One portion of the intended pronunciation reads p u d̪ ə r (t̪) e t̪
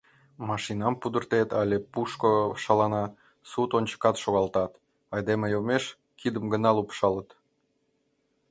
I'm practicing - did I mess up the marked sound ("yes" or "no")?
no